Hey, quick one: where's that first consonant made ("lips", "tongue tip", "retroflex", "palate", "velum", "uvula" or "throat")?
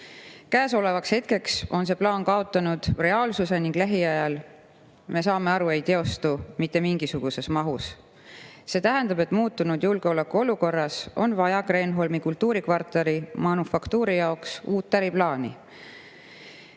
velum